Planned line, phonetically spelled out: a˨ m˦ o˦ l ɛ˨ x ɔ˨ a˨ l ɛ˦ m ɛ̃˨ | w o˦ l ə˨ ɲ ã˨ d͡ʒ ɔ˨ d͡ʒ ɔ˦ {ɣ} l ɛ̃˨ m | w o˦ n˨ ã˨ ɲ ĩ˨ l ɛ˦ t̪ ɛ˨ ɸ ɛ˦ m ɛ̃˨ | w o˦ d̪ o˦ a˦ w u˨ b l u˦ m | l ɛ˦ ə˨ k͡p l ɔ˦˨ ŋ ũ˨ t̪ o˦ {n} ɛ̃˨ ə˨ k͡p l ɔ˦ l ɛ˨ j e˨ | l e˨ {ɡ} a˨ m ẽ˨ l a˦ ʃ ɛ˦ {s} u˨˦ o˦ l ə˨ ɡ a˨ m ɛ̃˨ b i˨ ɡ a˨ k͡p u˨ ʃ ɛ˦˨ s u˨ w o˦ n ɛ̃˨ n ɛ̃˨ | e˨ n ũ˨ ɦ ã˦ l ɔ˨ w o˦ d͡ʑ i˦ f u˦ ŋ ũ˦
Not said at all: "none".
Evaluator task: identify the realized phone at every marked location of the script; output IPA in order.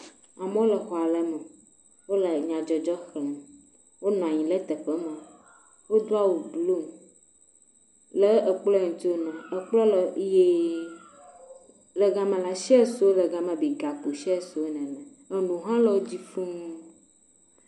x, n, ɡ, s

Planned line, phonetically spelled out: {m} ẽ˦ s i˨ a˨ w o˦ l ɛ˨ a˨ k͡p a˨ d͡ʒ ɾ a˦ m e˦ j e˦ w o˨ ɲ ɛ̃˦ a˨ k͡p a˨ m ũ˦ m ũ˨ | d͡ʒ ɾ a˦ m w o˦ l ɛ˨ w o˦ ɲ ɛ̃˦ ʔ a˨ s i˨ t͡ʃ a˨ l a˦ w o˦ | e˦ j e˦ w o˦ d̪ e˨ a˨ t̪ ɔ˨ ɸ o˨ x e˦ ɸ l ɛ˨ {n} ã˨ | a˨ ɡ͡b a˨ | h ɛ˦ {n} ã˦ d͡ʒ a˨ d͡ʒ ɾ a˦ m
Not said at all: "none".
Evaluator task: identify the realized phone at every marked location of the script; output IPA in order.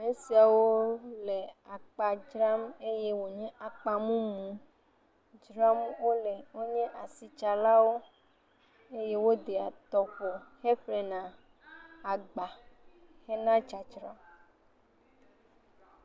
m, n, n

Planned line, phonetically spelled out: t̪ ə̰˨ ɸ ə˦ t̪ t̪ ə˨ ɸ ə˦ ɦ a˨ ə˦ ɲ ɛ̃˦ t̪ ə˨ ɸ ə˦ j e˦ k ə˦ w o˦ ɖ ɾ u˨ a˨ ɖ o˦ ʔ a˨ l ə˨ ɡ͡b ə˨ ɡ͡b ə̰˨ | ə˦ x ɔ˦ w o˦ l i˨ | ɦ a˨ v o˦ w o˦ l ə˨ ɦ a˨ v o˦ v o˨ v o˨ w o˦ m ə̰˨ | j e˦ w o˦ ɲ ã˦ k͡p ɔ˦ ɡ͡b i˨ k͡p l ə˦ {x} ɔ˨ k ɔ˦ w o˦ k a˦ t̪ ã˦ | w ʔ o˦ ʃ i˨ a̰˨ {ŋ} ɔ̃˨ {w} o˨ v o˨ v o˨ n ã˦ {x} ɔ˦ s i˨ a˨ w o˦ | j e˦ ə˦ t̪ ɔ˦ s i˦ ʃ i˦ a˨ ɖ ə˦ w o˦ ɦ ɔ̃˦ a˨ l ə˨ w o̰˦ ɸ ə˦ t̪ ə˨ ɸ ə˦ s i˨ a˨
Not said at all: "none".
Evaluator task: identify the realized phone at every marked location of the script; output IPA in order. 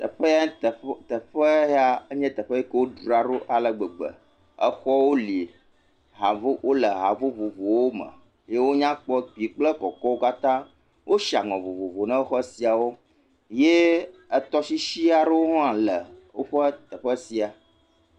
k, ŋ, v, x

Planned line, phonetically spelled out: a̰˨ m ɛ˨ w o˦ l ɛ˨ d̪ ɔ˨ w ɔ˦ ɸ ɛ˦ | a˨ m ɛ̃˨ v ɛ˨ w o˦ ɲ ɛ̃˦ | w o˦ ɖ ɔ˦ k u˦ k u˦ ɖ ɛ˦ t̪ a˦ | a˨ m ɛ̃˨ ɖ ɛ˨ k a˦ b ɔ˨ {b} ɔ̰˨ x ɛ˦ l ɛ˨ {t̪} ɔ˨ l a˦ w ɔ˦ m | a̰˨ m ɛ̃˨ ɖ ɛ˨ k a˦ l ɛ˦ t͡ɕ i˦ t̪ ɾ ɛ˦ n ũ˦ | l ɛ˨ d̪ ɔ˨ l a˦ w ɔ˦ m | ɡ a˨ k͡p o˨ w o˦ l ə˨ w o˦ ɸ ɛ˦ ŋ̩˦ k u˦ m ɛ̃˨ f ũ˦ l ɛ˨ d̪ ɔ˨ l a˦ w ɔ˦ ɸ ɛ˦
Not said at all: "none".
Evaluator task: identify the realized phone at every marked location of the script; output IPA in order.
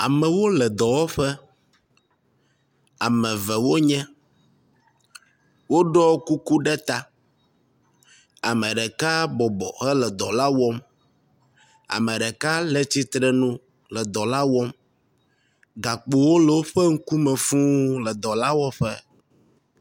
b, d̪

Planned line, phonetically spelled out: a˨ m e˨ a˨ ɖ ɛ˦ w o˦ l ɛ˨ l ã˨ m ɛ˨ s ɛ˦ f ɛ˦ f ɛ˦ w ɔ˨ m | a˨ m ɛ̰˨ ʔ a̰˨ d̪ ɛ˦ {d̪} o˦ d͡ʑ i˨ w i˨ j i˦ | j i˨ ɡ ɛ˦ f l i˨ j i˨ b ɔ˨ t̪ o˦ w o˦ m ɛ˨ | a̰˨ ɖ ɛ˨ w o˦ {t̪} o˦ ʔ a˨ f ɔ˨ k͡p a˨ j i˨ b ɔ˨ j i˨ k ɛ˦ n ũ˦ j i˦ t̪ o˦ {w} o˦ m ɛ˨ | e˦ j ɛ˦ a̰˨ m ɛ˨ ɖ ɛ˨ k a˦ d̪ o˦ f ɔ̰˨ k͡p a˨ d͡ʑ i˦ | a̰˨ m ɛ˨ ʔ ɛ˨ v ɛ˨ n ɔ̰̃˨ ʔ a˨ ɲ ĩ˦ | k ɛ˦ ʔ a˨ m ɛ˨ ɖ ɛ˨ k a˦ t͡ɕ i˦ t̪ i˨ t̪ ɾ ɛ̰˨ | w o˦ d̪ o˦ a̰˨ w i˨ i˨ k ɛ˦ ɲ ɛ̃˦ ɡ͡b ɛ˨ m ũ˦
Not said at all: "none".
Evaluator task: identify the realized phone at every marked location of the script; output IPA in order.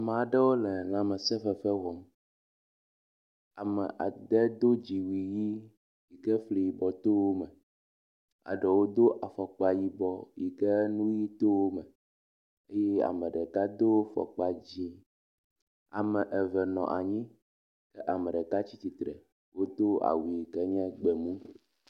d̪, d̪, w

